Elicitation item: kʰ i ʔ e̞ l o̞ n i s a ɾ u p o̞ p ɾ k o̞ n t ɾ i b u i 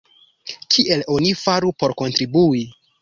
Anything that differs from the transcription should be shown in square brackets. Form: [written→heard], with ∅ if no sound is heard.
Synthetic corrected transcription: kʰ i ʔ e̞ l o̞ n i [s→f] a ɾ u p o̞ [p→∅] ɾ k o̞ n t ɾ i b u i

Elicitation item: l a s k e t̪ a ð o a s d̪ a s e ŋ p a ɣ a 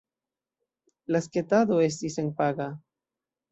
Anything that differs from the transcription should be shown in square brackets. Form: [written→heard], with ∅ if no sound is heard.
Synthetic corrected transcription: l a s k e t̪ a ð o [a→e] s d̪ [a→i] s e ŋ p a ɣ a

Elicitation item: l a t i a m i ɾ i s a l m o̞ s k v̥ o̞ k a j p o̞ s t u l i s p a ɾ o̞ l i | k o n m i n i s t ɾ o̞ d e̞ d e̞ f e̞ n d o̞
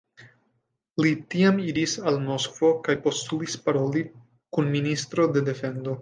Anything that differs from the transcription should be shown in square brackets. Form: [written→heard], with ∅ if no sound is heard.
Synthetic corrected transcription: l [a→i] t i a m i ɾ i s a l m o̞ s k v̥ o̞ k a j p o̞ s t u l i s p a ɾ o̞ l i | k [o→u] n m i n i s t ɾ o̞ d e̞ d e̞ f e̞ n d o̞

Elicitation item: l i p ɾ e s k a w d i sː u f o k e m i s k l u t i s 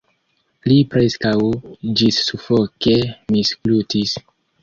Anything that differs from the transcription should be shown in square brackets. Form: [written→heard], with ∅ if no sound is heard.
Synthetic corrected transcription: l i p ɾ e s k a w [d→d͡ʒ] i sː u f o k e m i s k l u t i s

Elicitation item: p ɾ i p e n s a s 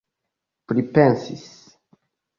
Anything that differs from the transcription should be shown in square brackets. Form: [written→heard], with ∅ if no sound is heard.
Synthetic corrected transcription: p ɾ i p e n s [a→i] s

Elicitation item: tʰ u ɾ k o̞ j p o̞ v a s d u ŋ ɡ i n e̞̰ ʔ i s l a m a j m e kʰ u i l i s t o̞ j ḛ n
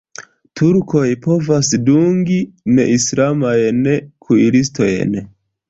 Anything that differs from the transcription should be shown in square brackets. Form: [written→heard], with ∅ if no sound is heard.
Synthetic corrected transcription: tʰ u ɾ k o̞ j p o̞ v a s d u ŋ ɡ i n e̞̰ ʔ i s l a m a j [m→n] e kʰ u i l i s t o̞ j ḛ n

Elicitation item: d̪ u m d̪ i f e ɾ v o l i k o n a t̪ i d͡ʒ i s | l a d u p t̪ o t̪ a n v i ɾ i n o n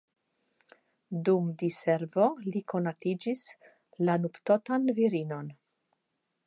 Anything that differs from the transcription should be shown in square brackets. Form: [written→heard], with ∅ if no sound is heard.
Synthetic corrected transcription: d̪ u m d̪ i [f→s] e ɾ v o l i k o n a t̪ i d͡ʒ i s | l a [d→n] u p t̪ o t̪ a n v i ɾ i n o n

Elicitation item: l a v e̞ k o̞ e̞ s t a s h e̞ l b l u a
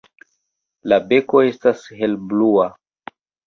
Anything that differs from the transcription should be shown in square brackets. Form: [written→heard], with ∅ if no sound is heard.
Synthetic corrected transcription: l a [v→b] e̞ k o̞ e̞ s t a s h e̞ l b l u a

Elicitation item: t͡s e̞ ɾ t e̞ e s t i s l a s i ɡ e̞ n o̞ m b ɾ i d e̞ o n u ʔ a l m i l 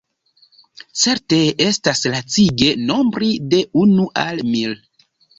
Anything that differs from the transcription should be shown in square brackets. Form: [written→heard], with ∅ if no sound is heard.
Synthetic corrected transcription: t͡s e̞ ɾ t e̞ e s t [i→a] s l a [s→t͡s] i ɡ e̞ n o̞ m b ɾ i d e̞ [o→u] n u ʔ a l m i l

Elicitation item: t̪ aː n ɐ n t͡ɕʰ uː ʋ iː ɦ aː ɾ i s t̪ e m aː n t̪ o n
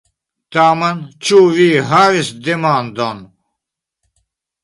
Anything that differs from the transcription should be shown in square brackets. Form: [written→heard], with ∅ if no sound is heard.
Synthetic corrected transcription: t̪ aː [n→m] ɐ n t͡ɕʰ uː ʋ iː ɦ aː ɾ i s [t̪→d̪] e m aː n [t̪→d̪] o n

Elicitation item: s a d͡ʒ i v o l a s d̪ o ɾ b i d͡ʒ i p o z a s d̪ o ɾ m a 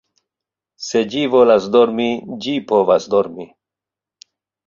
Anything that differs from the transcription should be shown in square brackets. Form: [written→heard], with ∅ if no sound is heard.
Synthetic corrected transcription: s [a→e] d͡ʒ i v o l a s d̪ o ɾ [b→m] i d͡ʒ i p o [z→v] a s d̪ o ɾ m [a→i]

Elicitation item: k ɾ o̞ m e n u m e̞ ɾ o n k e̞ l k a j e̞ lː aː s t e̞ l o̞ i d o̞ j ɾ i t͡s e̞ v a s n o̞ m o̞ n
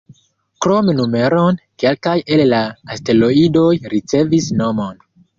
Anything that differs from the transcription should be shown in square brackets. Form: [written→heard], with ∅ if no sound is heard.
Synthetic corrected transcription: k ɾ o̞ m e n u m e̞ ɾ o n k e̞ l k a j e̞ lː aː s t e̞ l o̞ i d o̞ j ɾ i t͡s e̞ v [a→i] s n o̞ m o̞ n

